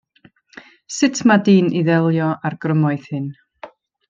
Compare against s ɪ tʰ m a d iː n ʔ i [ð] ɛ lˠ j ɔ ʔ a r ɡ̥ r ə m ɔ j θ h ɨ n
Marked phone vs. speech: correct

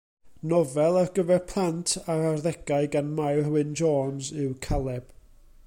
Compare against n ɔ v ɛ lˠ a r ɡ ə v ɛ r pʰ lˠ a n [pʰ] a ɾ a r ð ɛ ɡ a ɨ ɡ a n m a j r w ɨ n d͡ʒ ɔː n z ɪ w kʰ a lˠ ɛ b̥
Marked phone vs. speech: incorrect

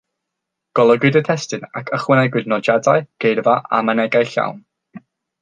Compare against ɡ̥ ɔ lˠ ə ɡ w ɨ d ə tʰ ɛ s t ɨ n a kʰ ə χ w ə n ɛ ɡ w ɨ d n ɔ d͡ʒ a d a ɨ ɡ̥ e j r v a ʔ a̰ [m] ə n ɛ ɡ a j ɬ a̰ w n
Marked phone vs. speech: correct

